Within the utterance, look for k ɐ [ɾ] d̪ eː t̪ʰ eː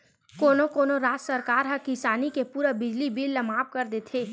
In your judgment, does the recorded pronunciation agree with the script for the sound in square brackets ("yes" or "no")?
yes